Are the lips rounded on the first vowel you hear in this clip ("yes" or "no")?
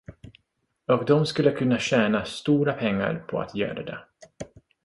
yes